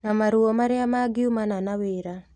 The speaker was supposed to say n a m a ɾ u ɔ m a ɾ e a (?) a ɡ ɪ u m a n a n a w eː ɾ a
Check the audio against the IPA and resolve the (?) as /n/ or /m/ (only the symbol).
m